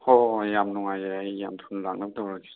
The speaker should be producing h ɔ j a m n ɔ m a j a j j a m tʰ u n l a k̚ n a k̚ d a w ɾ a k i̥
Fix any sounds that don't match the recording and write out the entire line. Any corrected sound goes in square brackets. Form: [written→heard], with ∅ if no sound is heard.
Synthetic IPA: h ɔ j a m n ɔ [m→ŋ] a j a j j a m tʰ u n l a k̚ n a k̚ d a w ɾ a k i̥